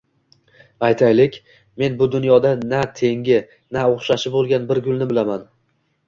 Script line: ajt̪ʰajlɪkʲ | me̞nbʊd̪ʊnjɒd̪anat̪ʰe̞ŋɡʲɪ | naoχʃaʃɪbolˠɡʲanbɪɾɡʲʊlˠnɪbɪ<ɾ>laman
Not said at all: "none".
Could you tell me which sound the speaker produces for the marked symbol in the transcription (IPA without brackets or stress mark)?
none